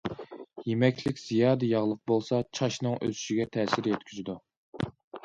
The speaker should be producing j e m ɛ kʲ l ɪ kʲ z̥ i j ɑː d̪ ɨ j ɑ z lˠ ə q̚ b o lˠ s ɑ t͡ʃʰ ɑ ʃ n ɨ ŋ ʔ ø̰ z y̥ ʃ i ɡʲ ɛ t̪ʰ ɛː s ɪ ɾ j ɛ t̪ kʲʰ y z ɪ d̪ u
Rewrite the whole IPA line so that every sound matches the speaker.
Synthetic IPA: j e m ɛ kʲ l ɪ kʲ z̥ i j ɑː d̪ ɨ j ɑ ʁ lˠ ə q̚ b o lˠ s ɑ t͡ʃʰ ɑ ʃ n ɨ ŋ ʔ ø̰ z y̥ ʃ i ɡʲ ɛ t̪ʰ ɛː s ɪ ɾ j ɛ t̪ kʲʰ y z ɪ d̪ u